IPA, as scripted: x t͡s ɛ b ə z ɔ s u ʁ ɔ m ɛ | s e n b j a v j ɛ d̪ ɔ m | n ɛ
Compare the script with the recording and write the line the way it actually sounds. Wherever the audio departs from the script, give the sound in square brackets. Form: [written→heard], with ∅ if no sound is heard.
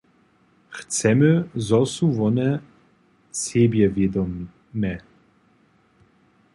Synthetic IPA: x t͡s ɛ [b→m] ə z ɔ s u [ʁ→v] ɔ [m→n] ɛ | s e [n→∅] b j [a→ɛ] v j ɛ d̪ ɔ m | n ɛ